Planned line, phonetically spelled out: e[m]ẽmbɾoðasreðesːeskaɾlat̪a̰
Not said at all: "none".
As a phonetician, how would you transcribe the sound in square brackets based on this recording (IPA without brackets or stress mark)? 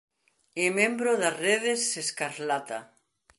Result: m